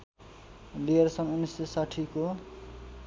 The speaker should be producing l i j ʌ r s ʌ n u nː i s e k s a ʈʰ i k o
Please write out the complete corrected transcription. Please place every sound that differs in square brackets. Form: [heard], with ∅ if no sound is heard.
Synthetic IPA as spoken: l i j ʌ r s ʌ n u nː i s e [∅] s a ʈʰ i k o